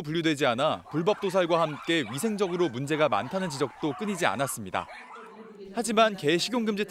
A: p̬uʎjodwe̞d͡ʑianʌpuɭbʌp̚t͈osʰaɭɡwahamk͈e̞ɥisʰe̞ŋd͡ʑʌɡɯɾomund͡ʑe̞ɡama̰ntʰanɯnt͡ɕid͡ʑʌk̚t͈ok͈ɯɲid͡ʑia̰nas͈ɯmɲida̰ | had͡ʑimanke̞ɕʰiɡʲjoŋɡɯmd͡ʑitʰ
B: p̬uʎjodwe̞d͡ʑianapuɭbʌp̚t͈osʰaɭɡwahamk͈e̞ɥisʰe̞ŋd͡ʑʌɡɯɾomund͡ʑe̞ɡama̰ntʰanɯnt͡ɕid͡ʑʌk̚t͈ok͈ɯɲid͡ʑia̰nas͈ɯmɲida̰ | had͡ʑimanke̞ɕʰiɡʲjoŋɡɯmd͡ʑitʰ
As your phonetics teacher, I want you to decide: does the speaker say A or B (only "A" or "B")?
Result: B